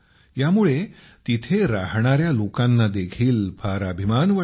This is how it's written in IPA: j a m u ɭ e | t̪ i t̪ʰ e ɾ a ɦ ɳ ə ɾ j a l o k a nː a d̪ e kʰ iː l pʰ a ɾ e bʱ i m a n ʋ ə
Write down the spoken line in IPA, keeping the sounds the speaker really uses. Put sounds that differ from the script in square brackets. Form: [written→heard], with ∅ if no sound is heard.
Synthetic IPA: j a m u ɭ e | t̪ i t̪ʰ e ɾ a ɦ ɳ [ə→a] ɾ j a l o k a nː a d̪ e kʰ iː l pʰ a ɾ [e→a] bʱ i m a n ʋ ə